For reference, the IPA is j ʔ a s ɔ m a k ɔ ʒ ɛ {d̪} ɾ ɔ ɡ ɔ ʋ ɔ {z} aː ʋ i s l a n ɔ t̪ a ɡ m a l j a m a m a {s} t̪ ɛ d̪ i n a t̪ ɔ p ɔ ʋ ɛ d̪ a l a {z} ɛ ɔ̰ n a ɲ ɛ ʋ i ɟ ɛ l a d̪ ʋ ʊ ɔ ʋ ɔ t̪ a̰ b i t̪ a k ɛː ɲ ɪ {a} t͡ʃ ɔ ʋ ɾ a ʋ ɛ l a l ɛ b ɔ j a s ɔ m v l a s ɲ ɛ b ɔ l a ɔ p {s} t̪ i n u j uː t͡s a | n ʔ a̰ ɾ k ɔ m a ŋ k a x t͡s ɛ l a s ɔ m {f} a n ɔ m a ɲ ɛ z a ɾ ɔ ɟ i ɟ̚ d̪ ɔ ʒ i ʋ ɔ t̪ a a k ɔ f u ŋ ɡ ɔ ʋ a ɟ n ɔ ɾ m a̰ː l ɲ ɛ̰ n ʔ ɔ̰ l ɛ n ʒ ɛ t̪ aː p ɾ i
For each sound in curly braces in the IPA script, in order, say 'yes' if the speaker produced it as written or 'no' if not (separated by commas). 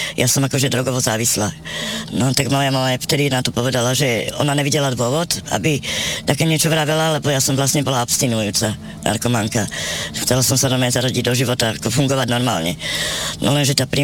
yes, yes, no, no, no, yes, no